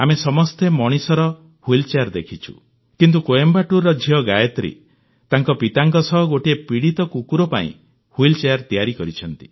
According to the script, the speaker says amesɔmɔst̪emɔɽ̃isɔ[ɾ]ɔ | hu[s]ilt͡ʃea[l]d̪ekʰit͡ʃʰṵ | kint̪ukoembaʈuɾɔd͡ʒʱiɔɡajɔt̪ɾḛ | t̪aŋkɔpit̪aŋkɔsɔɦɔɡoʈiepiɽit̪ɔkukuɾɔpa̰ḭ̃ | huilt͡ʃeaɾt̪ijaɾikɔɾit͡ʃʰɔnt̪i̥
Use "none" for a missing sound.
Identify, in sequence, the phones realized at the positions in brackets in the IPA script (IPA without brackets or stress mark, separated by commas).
ɾ, none, ɾ